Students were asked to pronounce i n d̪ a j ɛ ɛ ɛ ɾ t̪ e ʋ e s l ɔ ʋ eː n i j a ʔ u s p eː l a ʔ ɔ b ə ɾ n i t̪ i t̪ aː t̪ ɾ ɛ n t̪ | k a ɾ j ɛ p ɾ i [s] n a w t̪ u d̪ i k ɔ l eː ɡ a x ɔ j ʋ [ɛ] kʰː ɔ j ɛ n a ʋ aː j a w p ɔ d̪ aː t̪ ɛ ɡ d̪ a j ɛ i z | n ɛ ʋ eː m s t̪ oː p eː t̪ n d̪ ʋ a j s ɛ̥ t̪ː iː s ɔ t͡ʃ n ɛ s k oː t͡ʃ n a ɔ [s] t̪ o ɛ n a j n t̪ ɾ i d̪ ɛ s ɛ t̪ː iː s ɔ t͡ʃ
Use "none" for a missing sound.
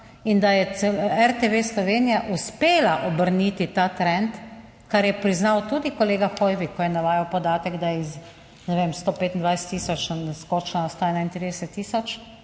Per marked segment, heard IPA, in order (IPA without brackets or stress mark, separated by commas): z, i, s